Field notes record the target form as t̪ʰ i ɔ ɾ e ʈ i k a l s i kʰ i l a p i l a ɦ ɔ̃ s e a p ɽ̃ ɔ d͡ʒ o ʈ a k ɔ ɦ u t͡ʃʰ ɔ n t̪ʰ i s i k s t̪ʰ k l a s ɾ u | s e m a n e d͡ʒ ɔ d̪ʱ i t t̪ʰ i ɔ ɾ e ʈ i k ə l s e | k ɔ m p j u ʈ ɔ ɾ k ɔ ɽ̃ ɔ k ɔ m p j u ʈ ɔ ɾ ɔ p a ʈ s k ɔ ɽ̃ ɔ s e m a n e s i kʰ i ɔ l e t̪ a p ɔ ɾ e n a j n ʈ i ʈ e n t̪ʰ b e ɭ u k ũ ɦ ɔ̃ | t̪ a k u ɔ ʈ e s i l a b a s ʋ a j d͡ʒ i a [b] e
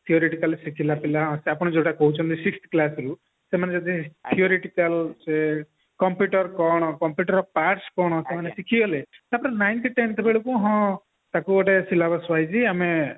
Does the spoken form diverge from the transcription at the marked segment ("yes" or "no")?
yes